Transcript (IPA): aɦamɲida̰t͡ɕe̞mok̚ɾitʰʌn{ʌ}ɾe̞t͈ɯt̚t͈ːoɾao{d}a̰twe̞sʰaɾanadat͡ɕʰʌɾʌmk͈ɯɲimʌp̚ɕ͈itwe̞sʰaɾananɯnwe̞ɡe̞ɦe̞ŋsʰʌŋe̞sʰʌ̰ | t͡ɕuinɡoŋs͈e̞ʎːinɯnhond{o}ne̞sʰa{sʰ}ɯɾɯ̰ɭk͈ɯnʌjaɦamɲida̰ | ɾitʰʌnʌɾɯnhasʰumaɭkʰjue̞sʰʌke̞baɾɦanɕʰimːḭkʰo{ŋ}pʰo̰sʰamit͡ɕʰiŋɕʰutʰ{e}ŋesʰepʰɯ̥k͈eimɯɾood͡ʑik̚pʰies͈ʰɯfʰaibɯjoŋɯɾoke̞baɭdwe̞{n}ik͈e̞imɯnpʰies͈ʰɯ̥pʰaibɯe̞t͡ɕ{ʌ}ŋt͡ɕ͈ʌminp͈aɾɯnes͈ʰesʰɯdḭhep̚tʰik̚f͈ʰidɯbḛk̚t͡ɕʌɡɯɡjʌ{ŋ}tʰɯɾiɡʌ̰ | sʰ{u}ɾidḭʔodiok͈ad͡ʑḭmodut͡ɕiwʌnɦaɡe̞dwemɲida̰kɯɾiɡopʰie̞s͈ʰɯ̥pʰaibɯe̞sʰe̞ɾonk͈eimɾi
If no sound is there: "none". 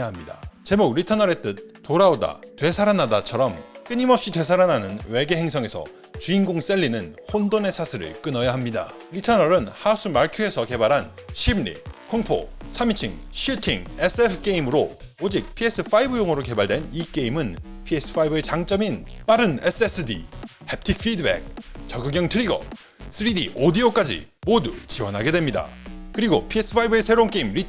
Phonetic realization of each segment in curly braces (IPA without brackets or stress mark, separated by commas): ʌ, d, o, sʰ, ŋ, i, n, a, ŋ, ɯ